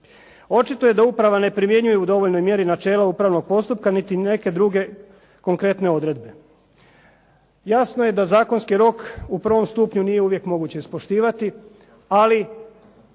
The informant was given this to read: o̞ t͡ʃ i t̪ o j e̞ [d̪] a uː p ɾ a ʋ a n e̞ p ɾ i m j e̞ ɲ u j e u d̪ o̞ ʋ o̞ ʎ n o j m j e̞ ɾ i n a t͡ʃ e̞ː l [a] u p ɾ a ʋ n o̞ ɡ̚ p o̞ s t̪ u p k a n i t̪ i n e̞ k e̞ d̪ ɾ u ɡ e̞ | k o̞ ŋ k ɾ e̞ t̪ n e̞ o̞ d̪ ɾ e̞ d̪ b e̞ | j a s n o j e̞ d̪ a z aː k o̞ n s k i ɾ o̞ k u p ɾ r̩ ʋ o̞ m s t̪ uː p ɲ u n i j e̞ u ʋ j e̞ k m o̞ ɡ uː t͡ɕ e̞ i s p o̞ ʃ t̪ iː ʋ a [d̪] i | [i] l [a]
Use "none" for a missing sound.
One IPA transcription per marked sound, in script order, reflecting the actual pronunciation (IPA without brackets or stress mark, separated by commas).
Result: d̪, a, t̪, a, i